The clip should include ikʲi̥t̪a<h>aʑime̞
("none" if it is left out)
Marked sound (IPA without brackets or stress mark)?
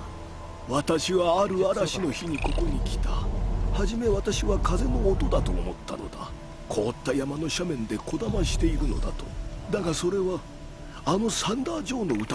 h